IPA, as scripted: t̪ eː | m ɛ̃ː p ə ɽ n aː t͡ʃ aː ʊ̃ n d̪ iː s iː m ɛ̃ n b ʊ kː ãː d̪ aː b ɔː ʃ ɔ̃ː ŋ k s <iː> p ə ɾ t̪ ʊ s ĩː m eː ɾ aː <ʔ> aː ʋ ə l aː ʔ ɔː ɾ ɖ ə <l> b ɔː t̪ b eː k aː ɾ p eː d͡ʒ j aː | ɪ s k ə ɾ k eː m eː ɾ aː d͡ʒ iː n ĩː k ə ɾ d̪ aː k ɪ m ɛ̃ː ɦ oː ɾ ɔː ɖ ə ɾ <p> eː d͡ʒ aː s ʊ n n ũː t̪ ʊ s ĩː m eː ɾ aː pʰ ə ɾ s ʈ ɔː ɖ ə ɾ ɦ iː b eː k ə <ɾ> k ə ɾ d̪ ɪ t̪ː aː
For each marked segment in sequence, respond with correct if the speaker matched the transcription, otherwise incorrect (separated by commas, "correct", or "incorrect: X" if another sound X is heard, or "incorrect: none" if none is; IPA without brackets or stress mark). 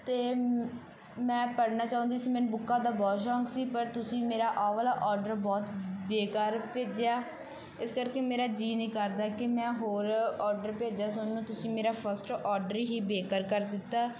correct, correct, incorrect: ɾ, correct, correct